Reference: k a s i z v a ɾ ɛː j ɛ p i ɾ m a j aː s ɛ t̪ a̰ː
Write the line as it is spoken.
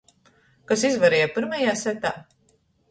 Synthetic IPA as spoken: k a s i z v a ɾ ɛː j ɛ p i ɾ m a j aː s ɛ t̪ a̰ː